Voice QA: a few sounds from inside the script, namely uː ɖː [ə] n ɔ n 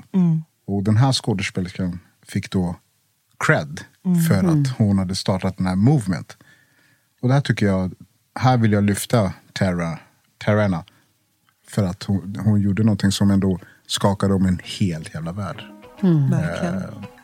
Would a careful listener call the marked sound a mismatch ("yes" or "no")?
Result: no